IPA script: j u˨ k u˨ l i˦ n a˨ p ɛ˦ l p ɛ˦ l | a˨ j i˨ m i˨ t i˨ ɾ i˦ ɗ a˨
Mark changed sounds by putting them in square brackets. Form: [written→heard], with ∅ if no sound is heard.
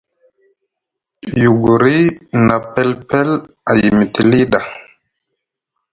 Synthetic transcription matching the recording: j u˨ [k→ɡ] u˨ [l→ɾ] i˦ n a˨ p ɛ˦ l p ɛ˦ l | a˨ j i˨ m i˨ t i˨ [ɾ→l] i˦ ɗ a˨